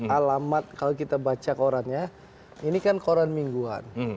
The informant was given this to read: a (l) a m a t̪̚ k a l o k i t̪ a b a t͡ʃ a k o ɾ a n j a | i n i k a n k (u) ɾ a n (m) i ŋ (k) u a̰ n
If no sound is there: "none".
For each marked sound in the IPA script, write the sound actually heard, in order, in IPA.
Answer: l, o, m, ɡ

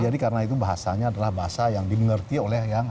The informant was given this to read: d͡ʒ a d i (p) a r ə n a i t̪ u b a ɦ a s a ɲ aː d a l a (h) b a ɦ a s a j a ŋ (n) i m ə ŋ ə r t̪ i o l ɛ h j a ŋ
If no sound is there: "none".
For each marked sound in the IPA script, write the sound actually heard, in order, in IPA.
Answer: k, h, d

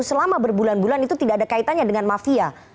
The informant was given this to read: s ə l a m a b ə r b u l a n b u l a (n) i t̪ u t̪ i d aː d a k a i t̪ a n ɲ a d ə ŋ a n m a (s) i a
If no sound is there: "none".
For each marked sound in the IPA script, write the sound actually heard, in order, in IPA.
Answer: n, f

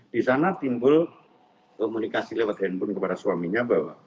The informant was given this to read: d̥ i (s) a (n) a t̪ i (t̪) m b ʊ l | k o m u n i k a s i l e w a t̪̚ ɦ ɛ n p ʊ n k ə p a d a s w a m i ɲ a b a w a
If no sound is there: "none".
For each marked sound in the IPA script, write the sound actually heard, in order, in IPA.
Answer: s, n, none

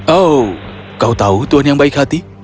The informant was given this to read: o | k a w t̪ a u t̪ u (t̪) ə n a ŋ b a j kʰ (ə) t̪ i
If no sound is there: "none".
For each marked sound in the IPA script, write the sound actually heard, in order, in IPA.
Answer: none, a

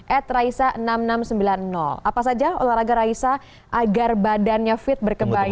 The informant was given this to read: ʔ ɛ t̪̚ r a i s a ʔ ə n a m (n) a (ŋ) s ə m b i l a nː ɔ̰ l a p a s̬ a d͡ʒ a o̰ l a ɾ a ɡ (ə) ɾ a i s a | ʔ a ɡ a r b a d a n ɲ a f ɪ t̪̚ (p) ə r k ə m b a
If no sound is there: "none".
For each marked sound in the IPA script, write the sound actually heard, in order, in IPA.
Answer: n, m, a, b

